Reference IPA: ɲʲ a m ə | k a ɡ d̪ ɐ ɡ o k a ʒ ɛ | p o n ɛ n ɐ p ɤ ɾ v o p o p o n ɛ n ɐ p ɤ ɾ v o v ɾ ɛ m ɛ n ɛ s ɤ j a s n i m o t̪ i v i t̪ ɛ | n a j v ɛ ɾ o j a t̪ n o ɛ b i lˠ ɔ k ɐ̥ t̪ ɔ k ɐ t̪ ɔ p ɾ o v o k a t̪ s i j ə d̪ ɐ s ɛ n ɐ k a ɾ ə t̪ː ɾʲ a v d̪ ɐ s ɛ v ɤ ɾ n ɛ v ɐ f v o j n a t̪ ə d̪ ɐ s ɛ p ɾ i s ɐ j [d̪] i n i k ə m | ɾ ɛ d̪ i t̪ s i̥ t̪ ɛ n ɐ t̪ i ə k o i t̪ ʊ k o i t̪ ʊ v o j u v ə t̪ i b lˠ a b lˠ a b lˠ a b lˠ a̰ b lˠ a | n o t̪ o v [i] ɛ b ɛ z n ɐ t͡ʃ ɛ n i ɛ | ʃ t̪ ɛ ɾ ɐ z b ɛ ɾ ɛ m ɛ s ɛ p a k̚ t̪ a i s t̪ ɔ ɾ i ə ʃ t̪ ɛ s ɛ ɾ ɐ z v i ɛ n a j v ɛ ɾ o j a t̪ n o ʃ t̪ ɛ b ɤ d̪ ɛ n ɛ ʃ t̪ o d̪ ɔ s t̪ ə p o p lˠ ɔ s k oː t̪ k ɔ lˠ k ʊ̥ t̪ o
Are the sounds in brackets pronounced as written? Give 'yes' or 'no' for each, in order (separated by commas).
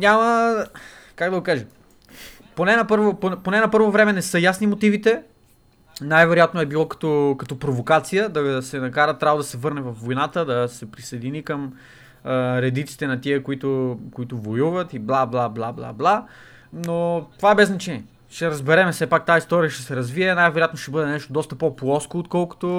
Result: yes, no